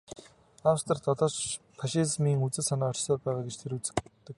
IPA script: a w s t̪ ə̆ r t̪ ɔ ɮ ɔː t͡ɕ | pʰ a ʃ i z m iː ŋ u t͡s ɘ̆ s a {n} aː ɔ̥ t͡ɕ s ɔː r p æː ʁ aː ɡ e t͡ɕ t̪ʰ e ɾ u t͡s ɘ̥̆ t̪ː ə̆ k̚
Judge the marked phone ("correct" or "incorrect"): correct